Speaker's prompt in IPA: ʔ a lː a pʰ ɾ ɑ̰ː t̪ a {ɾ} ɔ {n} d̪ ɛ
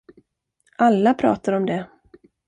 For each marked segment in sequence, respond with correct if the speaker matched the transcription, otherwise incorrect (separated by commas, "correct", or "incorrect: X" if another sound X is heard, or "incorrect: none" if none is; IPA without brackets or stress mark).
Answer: correct, incorrect: m